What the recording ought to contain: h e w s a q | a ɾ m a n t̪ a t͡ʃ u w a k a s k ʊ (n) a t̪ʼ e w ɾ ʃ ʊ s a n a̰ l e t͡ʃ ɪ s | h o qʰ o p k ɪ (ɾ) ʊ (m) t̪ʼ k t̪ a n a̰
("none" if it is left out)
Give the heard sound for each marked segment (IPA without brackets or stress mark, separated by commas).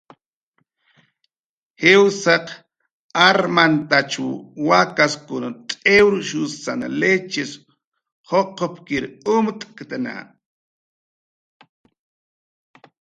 n, ɾ, m